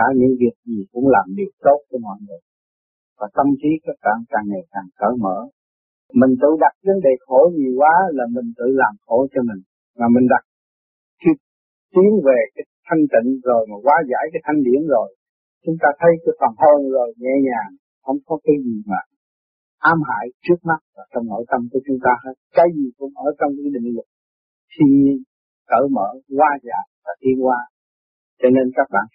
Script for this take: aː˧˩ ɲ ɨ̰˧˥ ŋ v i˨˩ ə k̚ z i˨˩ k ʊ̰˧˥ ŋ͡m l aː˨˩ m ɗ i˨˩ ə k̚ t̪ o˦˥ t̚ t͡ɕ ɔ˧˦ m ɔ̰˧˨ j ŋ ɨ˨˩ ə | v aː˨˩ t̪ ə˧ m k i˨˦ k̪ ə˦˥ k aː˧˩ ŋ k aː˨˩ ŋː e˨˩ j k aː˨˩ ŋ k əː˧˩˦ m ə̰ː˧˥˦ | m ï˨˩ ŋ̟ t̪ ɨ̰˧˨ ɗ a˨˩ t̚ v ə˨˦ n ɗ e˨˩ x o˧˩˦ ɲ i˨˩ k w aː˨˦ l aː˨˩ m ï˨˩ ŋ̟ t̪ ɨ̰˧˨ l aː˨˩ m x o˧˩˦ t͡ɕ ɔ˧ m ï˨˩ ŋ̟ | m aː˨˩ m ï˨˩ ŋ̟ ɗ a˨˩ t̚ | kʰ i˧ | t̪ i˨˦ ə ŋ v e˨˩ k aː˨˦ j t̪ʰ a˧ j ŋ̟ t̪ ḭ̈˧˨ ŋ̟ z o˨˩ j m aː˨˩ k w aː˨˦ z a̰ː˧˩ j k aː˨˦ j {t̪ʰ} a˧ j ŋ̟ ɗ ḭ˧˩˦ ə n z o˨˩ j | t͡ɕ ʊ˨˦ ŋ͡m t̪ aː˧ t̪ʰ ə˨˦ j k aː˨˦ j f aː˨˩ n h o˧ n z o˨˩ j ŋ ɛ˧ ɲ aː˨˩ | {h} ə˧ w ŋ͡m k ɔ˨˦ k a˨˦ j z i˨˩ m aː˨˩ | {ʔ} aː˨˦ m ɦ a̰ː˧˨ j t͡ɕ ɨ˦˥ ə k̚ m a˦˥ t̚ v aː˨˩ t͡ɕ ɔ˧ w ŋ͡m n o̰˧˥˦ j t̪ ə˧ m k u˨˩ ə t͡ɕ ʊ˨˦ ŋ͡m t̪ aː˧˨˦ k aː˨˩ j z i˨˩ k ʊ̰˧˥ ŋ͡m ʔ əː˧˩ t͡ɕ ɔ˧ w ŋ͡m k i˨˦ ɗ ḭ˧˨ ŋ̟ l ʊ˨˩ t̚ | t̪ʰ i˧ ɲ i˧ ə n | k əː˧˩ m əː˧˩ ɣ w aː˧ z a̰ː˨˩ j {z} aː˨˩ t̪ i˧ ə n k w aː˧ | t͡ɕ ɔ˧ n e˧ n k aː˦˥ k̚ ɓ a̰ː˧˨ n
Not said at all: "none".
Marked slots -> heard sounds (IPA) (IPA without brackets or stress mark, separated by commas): t̪ʰ, h, ʔ, v